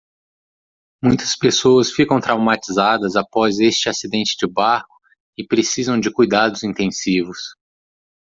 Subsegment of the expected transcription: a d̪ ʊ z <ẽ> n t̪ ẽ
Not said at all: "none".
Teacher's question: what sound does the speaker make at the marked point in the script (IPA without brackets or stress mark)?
ĩ